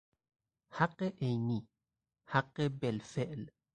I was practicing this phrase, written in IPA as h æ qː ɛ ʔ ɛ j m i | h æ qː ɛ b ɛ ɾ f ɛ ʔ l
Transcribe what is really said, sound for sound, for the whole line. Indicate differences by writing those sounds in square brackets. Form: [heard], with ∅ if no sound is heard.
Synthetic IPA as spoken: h [a] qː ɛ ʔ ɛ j [n] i | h [a] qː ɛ b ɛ [l] f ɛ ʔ l